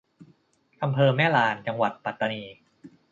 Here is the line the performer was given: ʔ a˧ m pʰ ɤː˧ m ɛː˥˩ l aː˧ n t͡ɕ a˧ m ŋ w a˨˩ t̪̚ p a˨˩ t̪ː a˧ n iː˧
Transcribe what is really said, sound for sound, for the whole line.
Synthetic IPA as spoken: ʔ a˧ m pʰ ɤː˧ m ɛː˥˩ l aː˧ n t͡ɕ a˧ ŋ w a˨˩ t̪̚ p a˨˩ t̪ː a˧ n iː˧